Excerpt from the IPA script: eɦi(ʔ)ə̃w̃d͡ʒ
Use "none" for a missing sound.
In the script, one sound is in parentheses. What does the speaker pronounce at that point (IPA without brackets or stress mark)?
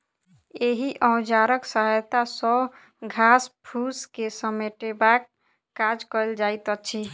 ʔ